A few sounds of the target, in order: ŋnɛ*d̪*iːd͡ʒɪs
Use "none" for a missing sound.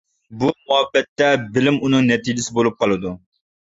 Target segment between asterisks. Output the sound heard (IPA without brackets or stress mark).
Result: t̪